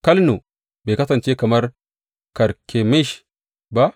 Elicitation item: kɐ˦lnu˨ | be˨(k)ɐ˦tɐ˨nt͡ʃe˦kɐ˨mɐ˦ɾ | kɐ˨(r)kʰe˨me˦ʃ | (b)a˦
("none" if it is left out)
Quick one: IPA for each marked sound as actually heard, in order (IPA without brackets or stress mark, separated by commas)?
k, ɾ, b